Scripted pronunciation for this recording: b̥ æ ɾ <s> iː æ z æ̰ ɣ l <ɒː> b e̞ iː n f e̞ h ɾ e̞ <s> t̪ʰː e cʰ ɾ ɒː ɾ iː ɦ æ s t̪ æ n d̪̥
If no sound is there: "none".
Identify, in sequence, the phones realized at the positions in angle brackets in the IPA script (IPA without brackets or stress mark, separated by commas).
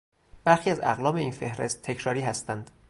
x, ɒː, s